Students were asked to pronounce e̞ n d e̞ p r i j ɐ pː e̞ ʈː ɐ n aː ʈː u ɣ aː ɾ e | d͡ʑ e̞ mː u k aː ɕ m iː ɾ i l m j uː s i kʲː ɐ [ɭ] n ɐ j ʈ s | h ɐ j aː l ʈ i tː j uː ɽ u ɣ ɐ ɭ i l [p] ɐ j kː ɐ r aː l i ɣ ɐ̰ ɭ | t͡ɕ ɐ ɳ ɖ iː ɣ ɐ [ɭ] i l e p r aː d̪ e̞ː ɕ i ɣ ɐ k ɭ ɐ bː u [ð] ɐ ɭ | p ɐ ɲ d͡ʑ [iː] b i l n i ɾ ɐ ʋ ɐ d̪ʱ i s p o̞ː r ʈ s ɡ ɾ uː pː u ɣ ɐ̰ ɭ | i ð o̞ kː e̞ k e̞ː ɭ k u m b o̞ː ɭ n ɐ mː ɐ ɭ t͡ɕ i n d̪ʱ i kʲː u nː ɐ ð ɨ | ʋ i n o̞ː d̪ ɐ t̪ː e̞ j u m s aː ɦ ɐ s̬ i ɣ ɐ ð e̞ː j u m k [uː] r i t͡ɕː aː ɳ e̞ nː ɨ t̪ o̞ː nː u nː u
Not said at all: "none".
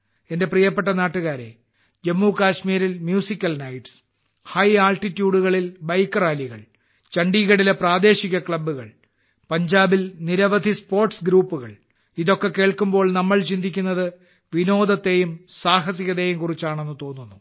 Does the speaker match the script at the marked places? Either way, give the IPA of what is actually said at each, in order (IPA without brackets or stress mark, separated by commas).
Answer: l, b, ɽ, ɣ, aː, u